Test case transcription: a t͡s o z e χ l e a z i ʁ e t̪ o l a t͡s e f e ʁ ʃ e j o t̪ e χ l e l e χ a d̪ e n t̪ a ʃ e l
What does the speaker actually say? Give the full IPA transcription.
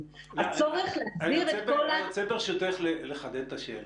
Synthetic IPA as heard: a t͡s o ʁ e χ l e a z i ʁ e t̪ o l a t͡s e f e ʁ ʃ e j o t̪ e χ l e l e χ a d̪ e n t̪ a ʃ e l